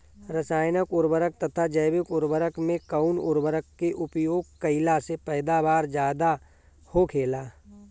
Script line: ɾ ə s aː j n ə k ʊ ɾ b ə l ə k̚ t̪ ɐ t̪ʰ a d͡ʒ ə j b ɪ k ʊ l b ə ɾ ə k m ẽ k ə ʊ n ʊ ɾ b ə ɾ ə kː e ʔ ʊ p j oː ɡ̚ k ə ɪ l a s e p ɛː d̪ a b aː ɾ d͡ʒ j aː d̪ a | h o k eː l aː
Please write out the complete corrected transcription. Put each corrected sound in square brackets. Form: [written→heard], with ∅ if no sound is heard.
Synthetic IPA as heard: ɾ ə s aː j n ə k ʊ ɾ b ə [l→ɾ] ə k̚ t̪ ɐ t̪ʰ a d͡ʒ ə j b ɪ k ʊ [l→ɾ] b ə ɾ ə k m ẽ k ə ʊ n ʊ ɾ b ə ɾ ə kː e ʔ ʊ p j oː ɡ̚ k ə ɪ l a s e p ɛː d̪ a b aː ɾ d͡ʒ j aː d̪ a | h o [k→kʰ] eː l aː